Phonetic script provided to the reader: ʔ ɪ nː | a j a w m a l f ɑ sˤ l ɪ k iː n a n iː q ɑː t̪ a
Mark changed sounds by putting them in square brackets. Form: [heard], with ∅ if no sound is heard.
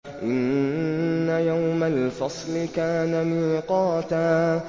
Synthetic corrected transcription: ʔ ɪ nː | a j a w m a l f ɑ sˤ l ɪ k [aː] n a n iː q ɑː t̪ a

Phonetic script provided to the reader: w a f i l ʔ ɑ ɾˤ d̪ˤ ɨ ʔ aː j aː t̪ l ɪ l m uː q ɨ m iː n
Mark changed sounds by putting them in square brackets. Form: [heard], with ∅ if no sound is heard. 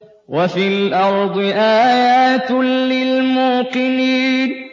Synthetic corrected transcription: w a f i l ʔ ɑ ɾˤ d̪ˤ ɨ ʔ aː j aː t̪ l ɪ l m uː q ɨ [n] iː n

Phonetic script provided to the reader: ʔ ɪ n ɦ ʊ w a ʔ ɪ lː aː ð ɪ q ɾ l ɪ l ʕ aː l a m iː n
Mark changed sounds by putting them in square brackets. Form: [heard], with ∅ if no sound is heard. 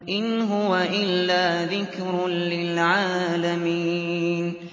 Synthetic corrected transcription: ʔ ɪ n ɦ ʊ w a ʔ ɪ lː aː ð ɪ [k] ɾ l ɪ l ʕ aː l a m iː n

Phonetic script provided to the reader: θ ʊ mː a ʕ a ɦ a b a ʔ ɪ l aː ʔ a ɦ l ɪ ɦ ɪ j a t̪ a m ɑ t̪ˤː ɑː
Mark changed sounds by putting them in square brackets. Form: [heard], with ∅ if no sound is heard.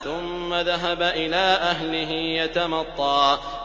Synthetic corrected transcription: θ ʊ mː a [ð] a ɦ a b a ʔ ɪ l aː ʔ a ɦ l ɪ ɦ ɪ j a t̪ a m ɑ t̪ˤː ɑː

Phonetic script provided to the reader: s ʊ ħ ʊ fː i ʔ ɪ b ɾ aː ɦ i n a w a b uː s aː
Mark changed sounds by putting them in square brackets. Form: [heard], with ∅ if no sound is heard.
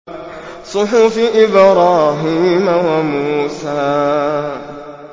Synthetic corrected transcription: s ʊ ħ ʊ [f] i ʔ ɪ b ɾ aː ɦ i [m] a w a [m] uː s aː

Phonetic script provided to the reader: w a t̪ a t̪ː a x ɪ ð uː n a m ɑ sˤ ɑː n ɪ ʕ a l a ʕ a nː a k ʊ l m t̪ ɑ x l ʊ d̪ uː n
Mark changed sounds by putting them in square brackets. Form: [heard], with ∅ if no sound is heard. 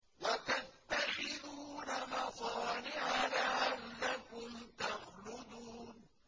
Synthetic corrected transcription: w a t̪ a t̪ː a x ɪ ð uː n a m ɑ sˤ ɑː n ɪ ʕ a l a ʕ a nː a k ʊ [∅] m t̪ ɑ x l ʊ d̪ uː n

